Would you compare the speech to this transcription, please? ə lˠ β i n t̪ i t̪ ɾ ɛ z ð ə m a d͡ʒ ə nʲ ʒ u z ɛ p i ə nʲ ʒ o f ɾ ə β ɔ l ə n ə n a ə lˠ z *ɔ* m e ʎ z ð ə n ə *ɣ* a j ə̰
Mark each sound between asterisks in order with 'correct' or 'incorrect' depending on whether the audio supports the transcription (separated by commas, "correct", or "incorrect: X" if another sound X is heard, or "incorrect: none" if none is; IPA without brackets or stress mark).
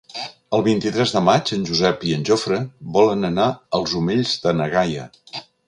incorrect: u, correct